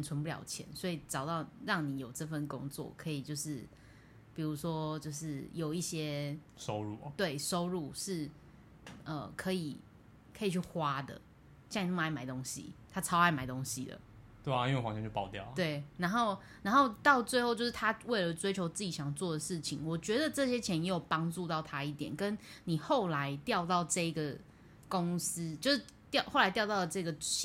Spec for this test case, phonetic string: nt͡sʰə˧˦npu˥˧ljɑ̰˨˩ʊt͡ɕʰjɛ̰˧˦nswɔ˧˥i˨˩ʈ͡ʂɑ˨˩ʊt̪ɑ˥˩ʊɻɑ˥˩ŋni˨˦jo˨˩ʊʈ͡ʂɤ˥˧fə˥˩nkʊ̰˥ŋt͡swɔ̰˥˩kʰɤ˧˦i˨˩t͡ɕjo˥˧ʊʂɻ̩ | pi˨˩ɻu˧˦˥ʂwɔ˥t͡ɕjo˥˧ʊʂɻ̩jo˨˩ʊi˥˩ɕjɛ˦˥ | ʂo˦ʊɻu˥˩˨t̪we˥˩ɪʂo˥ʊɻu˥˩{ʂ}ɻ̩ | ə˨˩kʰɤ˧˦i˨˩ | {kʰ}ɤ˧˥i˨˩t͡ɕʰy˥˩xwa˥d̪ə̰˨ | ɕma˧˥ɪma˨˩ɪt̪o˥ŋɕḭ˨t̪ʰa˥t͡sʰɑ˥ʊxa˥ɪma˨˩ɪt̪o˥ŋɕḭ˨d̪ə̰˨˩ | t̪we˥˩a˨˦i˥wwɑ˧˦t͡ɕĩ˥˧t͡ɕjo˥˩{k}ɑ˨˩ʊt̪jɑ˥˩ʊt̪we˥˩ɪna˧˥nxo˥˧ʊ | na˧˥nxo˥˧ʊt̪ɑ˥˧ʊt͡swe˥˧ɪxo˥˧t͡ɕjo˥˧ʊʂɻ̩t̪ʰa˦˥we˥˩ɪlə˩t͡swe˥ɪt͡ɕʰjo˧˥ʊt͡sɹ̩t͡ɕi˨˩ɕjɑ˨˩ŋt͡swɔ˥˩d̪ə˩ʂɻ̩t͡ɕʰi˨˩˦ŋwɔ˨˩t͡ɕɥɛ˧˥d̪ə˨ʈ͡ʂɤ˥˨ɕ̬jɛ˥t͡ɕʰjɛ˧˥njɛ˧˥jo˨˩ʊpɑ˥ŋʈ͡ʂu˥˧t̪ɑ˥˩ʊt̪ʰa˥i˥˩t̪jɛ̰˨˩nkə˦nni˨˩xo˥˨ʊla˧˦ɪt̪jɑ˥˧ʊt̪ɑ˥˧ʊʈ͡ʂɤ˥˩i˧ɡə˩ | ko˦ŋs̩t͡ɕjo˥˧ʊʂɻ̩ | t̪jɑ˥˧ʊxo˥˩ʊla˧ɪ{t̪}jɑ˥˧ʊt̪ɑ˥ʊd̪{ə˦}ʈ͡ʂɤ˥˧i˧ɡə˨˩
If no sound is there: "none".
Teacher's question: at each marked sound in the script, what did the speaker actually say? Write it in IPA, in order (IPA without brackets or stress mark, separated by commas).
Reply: ʂ, kʰ, p, t̪, ə˩